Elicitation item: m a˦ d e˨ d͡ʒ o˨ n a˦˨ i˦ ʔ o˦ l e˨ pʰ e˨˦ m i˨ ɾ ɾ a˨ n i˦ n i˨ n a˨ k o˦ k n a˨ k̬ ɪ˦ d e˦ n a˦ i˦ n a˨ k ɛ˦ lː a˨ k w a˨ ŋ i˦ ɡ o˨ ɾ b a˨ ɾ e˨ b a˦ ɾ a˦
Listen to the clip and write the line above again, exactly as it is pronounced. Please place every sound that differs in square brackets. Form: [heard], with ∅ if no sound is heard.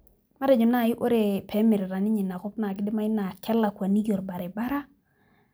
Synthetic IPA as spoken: m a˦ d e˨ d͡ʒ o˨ n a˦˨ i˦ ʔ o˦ [ɾ] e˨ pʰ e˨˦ m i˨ ɾ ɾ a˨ n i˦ [ɲ] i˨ n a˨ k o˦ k n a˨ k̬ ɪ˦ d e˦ [m] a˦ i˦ n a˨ k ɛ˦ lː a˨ k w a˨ [n] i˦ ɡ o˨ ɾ b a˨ ɾ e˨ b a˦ ɾ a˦

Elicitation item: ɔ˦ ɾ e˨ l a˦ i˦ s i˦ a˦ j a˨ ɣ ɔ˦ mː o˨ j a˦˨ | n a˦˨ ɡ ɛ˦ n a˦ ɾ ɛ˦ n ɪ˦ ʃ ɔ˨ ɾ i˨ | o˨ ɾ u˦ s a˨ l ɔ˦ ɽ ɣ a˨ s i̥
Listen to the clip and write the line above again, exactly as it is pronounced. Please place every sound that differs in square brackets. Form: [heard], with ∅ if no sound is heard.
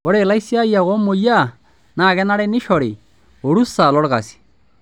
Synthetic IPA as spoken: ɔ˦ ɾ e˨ l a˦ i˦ s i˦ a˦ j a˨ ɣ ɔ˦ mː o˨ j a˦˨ | n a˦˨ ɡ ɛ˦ n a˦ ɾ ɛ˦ n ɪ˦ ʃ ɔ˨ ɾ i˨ | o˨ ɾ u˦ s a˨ l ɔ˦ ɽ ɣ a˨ s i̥

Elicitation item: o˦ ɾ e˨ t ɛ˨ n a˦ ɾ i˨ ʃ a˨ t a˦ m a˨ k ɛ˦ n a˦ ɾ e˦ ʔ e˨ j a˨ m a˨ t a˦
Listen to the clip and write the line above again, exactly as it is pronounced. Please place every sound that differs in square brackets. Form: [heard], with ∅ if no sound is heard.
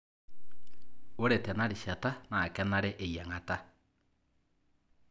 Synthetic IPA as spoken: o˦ ɾ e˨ t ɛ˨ n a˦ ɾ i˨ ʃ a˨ t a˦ [n] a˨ k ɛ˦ n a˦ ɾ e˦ ʔ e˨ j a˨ [ŋ] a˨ t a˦

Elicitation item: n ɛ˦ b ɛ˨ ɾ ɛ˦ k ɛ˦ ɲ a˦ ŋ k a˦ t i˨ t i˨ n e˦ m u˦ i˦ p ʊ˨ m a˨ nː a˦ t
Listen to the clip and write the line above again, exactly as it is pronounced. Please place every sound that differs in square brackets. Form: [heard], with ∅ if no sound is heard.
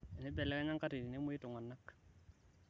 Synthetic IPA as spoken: n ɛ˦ b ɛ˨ [l] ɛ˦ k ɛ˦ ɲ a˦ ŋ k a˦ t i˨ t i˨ n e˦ m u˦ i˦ [t] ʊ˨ [ŋ] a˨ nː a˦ [k]

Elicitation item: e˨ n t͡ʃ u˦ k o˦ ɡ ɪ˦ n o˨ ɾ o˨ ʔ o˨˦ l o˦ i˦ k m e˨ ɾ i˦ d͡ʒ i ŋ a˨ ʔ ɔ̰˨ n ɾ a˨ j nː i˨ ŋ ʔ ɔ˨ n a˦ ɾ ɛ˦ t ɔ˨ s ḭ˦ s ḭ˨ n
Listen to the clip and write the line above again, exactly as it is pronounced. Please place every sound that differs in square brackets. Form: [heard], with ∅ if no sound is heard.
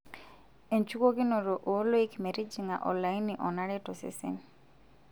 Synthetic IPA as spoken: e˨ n t͡ʃ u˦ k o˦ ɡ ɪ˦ n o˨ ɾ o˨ ʔ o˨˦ l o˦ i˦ k m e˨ ɾ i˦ d͡ʒ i ŋ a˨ ʔ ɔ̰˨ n [l] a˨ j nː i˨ [∅] ʔ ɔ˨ n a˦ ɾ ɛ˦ t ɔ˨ s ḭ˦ s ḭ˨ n

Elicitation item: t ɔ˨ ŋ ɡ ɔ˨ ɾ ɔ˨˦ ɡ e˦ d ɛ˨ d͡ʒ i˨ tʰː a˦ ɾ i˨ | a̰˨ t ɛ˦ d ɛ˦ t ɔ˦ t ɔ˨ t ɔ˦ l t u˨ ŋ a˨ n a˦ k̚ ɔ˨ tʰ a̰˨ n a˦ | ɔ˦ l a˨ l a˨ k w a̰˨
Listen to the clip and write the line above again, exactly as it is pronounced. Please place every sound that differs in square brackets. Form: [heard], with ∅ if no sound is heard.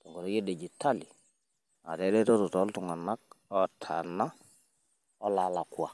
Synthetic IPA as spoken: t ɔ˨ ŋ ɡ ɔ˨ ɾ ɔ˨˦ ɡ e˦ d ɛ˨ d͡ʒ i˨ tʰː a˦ [l] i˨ | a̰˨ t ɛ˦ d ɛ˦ t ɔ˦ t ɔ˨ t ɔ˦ l t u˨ ŋ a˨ n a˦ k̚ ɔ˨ tʰ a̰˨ n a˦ | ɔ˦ l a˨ l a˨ k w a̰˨

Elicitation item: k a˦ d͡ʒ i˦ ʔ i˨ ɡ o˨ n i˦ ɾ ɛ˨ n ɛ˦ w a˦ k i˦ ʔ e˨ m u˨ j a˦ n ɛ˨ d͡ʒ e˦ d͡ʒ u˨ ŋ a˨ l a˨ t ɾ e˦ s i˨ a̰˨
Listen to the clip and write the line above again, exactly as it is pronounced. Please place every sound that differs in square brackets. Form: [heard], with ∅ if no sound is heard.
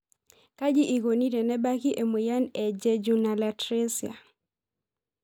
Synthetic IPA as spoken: k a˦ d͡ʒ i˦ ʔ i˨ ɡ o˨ n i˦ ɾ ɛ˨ n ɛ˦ [b] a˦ k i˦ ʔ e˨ m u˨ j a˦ n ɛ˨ d͡ʒ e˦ d͡ʒ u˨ [n] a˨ l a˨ t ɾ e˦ s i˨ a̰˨

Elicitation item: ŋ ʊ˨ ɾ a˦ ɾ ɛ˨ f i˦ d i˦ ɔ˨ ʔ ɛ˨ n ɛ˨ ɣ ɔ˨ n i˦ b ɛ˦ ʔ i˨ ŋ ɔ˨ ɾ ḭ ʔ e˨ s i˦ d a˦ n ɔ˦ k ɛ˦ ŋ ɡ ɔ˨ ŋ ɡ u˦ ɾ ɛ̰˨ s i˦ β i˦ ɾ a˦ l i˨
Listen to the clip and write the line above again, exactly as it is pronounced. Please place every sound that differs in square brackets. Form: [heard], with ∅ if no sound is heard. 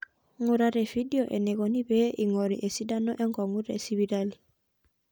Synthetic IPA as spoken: ŋ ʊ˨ ɾ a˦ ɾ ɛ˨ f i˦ d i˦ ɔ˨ ʔ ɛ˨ n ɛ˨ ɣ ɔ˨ n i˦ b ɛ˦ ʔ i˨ ŋ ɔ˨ ɾ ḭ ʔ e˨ s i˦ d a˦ n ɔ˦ [ʔ] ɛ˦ ŋ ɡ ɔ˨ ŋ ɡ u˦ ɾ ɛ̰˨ s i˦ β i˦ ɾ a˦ l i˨

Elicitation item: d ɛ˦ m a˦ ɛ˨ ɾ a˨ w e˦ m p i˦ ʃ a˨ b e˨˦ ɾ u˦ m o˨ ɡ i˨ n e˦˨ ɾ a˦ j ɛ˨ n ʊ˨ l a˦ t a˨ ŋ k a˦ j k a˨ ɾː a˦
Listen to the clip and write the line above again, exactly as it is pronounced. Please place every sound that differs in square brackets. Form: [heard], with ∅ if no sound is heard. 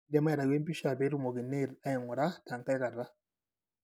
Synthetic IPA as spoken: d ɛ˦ m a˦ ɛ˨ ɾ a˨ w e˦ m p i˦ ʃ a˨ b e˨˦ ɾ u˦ m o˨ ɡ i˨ n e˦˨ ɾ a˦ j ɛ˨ [ŋ] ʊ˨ [ɾ] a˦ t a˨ ŋ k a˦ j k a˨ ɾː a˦

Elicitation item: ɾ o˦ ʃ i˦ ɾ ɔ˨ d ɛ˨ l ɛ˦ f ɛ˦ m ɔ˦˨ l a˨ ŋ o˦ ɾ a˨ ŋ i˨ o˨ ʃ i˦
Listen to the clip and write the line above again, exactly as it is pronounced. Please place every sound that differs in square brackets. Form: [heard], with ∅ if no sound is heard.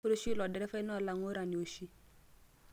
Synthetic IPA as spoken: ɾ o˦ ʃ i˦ [l] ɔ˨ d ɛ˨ [ɾ] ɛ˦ f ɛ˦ [n] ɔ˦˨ l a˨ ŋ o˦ ɾ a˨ [n] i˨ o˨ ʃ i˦

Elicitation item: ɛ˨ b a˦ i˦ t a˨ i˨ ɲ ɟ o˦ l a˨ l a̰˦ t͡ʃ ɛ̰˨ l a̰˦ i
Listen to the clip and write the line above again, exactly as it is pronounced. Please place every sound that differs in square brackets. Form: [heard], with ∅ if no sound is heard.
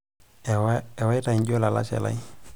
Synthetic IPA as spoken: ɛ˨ [w] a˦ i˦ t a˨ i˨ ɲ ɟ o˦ l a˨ l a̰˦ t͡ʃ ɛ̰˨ l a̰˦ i

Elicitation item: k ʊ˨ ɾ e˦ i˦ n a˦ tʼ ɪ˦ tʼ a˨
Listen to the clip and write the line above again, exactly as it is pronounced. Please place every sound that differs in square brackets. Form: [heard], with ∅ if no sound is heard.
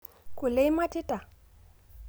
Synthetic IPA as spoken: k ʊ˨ [l] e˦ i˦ [m] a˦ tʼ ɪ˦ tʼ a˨

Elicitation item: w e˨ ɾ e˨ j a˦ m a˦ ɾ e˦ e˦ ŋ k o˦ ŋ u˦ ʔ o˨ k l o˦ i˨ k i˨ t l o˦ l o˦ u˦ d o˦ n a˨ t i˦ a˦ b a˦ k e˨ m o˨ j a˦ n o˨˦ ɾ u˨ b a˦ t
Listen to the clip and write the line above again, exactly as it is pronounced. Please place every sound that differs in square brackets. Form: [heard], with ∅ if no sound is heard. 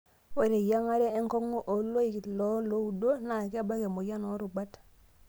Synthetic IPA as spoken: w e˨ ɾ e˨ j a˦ [ŋ] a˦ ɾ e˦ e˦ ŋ k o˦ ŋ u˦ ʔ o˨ [∅] l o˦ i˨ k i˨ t l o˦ l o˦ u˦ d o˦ n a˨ [k] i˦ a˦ b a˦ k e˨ m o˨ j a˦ n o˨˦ ɾ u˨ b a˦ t

